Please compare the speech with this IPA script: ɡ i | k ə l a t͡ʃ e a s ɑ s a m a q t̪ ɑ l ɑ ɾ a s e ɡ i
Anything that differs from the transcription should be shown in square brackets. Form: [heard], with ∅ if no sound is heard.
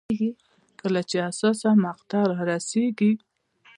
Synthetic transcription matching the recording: ɡ i | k ə l a t͡ʃ e a s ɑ s a m a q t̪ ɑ [ɾ] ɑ ɾ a s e ɡ i

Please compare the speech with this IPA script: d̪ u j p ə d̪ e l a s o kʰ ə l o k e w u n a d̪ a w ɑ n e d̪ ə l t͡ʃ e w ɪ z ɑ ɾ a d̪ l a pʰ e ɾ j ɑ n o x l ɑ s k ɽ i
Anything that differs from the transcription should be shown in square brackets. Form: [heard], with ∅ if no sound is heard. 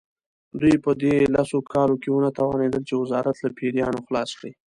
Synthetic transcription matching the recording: d̪ u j p ə d̪ e l a s o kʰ [ɑ] l o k e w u n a [t̪] a w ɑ n e d̪ ə l t͡ʃ e w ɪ z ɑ ɾ a [t̪] l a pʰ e ɾ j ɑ n o x l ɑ s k ɽ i

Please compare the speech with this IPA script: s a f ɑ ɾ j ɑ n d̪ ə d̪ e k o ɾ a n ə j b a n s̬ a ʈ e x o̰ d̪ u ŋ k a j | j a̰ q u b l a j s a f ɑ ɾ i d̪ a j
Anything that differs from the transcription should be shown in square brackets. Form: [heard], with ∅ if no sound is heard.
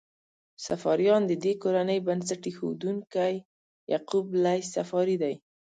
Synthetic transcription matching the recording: s a f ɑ ɾ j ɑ n d̪ ə d̪ e k o ɾ a n ə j b a n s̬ a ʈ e x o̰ d̪ u ŋ k a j | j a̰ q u b l a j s a f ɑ ɾ i d̪ a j

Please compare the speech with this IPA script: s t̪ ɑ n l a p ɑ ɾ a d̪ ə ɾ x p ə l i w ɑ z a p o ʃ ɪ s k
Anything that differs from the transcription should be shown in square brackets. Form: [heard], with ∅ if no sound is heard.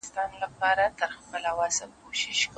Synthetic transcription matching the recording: s t̪ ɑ n l a p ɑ ɾ a [t̪] ə ɾ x p ə l [a] w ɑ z a [k] o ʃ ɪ [ʃ] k

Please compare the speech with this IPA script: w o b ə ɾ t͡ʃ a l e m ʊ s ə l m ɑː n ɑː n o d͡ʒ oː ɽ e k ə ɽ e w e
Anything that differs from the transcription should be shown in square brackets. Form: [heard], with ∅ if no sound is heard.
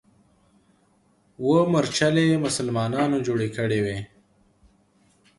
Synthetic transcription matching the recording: w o [m] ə ɾ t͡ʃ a l e m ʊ s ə l m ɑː n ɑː n o d͡ʒ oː ɽ e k ə ɽ e w e

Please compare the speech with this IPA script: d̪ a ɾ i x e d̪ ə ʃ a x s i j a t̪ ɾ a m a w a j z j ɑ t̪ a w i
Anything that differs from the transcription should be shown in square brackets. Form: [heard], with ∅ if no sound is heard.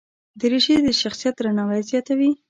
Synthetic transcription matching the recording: d̪ [ə] ɾ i [ʃ] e d̪ ə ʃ a x s i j a t̪ ɾ a [n] a w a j z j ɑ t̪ a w i

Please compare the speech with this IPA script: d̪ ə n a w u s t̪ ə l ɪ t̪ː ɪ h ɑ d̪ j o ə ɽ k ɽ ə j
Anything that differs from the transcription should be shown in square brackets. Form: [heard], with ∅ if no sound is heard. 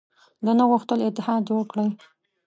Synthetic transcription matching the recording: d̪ ə n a [ɣ] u [x] t̪ ə l ɪ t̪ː ɪ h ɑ d̪ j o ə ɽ k ɽ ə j

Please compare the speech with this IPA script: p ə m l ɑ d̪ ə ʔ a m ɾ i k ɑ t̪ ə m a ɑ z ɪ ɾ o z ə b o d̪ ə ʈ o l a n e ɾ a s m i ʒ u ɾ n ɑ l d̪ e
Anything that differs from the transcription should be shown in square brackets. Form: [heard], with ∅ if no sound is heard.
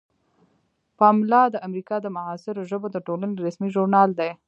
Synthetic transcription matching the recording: p [ɑ] m l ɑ d̪ ə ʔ a m ɾ i k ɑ [d̪] ə m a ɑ [s] ɪ ɾ o [ʒ] ə b o d̪ ə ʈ o l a n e ɾ a s m i ʒ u ɾ n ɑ l d̪ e

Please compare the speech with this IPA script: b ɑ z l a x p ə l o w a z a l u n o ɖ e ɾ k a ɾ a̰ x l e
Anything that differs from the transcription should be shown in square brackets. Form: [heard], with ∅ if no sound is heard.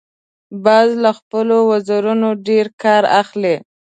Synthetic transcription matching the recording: b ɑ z l a x p ə l o w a z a [ɾ] u n o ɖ e ɾ k [ɑ] ɾ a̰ x l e

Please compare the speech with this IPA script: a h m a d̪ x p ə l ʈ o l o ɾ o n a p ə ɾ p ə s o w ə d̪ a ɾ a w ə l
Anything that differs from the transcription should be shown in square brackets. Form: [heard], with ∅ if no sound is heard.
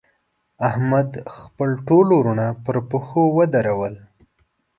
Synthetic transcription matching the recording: a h m a d̪ x p ə l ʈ o l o ɾ [u] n a p ə ɾ p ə [x] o w ə d̪ a ɾ a w ə l

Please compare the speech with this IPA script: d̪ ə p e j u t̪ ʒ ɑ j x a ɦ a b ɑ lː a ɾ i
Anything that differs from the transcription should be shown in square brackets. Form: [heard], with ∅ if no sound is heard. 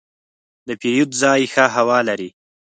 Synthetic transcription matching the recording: d̪ ə p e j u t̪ [z] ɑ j x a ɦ a [w] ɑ [l] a ɾ i

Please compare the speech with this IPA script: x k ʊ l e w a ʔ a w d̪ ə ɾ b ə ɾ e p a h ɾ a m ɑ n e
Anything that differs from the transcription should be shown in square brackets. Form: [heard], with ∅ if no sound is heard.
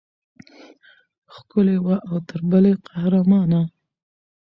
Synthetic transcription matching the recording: x k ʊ l e w a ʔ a w [t̪] ə ɾ b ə [l] e [q] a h ɾ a m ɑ n [a]

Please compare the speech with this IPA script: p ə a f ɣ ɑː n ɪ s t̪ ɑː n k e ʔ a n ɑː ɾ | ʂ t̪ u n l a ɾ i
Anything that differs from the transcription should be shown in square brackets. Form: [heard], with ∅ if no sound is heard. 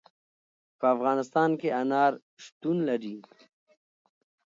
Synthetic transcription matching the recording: p ə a f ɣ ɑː n ɪ s t̪ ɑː n k e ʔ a n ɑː ɾ | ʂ t̪ u n l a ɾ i

